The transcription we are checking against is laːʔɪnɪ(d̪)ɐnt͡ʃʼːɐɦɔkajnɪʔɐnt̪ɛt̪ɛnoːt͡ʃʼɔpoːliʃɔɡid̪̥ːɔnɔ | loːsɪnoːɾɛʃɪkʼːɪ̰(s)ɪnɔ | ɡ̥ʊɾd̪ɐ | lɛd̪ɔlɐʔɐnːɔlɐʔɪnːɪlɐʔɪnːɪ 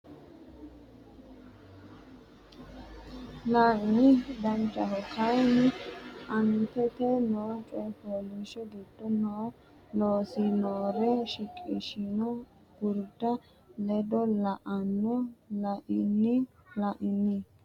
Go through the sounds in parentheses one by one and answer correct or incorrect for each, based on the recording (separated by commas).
correct, incorrect